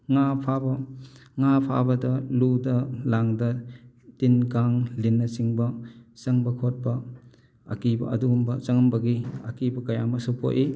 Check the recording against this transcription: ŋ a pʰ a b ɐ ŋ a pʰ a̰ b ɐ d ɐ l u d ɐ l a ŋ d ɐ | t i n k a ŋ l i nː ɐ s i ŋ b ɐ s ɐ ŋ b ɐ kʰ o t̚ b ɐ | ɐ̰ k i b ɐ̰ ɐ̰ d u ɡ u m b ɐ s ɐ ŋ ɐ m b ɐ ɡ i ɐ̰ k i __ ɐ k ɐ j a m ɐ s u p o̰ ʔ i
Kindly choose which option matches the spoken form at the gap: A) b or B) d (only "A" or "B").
A